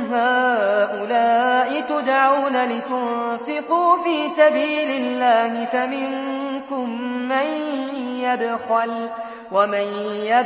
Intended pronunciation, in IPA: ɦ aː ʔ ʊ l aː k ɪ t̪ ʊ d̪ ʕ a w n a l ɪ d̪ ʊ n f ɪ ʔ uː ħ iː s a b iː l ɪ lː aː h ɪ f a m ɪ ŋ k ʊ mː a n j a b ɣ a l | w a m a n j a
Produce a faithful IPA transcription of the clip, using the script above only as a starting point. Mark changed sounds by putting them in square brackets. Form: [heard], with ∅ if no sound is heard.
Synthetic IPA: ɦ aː ʔ ʊ l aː [ʔ] ɪ t̪ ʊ d̪ ʕ a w n a l ɪ [t̪] ʊ n f ɪ [q] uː [f] iː s a b iː l ɪ lː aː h ɪ f a m ɪ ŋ k ʊ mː a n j a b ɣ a l | w a m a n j a